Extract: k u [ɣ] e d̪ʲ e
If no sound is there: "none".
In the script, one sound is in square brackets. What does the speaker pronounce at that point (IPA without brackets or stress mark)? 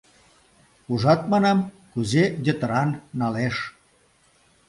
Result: z